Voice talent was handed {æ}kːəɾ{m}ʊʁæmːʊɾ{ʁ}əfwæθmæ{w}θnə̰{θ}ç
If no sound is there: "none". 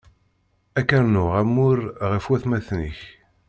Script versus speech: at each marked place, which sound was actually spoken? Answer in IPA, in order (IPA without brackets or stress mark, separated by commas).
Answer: æ, n, ʁ, none, none